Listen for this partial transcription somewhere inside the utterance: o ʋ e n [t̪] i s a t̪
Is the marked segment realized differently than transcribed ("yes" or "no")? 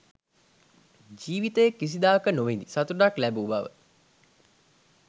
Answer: yes